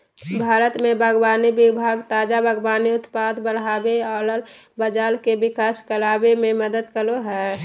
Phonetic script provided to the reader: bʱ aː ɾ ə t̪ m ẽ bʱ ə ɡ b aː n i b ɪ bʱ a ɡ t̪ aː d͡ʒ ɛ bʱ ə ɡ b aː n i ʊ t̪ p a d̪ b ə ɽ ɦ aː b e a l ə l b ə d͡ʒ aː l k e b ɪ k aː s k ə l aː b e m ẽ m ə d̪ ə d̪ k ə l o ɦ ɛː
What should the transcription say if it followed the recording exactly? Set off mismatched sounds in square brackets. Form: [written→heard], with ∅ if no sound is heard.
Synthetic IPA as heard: bʱ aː ɾ ə t̪ m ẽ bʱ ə ɡ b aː n i b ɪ bʱ a ɡ t̪ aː d͡ʒ [ɛ→a] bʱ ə ɡ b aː n i ʊ t̪ p a d̪ b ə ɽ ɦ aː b e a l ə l b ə d͡ʒ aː l k e b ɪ k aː s k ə l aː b e m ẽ m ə d̪ ə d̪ k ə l o ɦ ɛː